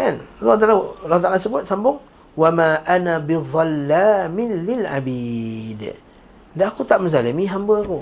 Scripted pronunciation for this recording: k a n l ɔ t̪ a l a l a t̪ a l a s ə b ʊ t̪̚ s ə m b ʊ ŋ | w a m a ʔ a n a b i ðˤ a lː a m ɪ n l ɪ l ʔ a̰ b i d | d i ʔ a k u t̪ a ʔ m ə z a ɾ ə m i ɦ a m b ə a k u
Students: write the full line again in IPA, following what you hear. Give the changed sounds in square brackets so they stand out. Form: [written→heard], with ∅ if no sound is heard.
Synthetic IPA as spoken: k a n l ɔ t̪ a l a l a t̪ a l a s ə b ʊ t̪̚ s [ə→a] m b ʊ ŋ | w a m a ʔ a n a b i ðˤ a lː a m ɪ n l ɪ l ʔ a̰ b i d | d [i→a] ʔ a k u t̪ a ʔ m ə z a [ɾ→l] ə m i ɦ a m b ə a k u